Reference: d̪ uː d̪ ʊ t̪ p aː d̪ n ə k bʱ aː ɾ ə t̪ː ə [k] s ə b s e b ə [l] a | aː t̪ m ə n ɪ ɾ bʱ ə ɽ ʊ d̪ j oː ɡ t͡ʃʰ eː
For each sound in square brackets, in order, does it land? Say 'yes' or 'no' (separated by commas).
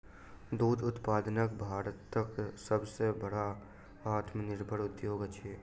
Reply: yes, no